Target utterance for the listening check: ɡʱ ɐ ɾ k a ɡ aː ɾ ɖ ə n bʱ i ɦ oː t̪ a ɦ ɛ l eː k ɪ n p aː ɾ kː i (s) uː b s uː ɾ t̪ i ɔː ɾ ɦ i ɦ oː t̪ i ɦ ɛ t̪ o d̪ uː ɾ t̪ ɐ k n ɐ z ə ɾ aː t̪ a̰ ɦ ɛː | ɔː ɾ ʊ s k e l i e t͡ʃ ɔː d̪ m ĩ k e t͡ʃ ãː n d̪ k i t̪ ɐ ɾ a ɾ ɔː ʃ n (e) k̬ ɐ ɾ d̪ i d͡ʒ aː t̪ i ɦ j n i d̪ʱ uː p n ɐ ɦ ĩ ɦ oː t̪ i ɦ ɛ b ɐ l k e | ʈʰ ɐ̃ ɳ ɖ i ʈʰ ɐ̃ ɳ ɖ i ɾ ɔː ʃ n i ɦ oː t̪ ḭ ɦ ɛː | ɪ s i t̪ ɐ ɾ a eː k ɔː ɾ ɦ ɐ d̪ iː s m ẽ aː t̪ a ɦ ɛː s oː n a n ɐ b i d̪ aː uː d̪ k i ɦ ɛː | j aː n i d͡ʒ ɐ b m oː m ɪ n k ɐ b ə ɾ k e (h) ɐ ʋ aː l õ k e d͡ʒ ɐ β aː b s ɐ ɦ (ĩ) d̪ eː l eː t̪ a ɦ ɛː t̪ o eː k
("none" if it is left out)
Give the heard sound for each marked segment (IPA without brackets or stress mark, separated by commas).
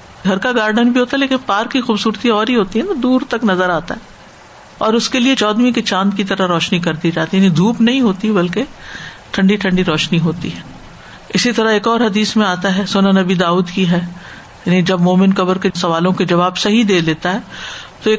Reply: x, i, s, i